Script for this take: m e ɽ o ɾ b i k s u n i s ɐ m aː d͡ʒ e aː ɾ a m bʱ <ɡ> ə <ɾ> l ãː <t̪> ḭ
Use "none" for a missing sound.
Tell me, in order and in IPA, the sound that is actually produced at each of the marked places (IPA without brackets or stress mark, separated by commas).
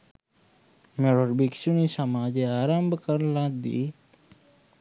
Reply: k, ɾ, d̪